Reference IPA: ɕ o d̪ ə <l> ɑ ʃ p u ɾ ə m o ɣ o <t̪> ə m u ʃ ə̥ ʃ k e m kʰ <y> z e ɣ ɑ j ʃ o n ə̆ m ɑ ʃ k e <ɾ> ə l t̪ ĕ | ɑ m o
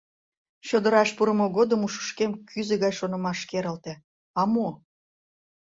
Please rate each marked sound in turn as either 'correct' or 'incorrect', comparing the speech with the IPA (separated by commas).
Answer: incorrect, incorrect, correct, correct